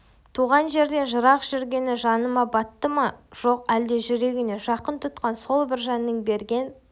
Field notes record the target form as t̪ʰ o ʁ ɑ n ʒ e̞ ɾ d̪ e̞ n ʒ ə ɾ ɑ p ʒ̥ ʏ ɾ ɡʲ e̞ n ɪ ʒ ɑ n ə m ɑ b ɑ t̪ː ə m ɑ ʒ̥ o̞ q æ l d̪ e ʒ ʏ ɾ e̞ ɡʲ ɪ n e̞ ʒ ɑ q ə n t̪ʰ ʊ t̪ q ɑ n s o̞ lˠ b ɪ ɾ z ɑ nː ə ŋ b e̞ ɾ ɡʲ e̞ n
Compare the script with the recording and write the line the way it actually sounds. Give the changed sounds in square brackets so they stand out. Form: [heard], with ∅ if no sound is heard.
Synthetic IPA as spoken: t̪ʰ [u] ʁ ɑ n ʒ e̞ ɾ d̪ e̞ n ʒ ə ɾ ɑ [q] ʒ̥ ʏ ɾ ɡʲ e̞ n ɪ ʒ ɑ n ə m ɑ b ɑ t̪ː ə m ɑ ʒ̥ o̞ q æ l d̪ e ʒ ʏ ɾ e̞ ɡʲ ɪ n e̞ ʒ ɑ q ə n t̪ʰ ʊ t̪ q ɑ n s o̞ lˠ b ɪ ɾ [ʒ] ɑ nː ə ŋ b e̞ ɾ ɡʲ e̞ n